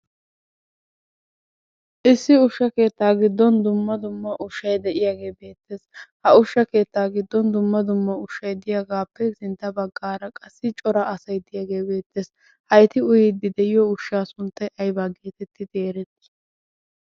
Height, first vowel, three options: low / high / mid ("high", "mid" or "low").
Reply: high